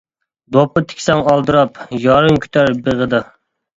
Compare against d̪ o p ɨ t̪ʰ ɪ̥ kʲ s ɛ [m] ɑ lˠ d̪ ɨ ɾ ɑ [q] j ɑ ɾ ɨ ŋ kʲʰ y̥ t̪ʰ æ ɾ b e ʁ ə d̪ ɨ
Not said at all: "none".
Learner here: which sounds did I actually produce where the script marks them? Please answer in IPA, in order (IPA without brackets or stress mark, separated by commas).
ŋ, p